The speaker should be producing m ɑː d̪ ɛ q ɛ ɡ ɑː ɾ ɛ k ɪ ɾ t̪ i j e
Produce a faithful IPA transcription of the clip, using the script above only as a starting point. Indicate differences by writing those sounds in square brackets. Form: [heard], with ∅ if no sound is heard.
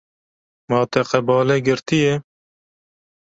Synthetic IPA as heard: m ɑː [t̪] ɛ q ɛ [b] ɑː [l] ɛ [ɡ] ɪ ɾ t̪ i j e